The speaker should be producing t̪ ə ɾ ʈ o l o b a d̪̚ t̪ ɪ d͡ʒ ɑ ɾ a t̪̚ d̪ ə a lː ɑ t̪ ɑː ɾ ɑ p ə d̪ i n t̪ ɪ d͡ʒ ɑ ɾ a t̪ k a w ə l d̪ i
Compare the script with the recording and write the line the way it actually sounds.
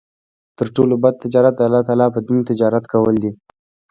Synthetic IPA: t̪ ə ɾ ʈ o l o b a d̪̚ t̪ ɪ d͡ʒ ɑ ɾ a t̪̚ d̪ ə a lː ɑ t̪ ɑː l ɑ p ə d̪ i n t̪ ɪ d͡ʒ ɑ ɾ a t̪ k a w ə l d̪ i